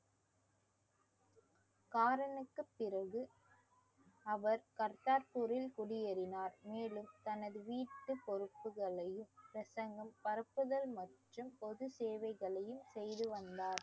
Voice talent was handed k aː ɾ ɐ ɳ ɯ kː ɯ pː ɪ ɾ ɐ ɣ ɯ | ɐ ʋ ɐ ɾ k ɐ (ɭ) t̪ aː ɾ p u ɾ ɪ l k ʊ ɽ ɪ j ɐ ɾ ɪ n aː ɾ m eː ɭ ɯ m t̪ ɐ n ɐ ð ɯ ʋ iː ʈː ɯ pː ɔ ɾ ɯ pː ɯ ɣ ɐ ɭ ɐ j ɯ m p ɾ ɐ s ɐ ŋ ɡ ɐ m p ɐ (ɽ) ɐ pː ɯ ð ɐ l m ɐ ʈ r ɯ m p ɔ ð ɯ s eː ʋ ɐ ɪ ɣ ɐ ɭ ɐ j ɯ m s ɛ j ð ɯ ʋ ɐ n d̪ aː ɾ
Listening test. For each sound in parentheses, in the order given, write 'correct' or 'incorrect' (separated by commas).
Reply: incorrect, incorrect